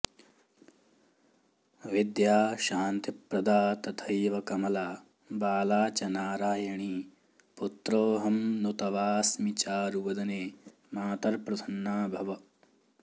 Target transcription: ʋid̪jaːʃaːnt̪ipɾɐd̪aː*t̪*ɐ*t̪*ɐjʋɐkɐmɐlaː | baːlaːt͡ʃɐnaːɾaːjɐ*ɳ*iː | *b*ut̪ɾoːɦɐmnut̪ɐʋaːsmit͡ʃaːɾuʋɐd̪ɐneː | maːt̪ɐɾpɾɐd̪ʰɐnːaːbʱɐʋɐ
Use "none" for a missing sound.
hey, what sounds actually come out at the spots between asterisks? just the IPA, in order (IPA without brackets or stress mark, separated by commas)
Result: t̪, t̪ʰ, ɳ, p